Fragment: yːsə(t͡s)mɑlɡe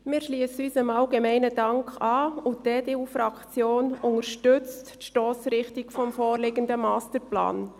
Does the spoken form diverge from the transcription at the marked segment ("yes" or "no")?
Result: yes